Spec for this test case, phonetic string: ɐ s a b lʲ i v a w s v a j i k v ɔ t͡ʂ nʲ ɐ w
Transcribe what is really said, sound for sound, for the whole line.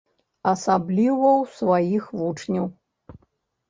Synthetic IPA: ɐ s a b lʲ i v ɐ w s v a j i x v u t͡ʂ nʲ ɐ w